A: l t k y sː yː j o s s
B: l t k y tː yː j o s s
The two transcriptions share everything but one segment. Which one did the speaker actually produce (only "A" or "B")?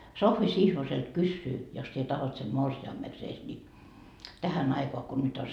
A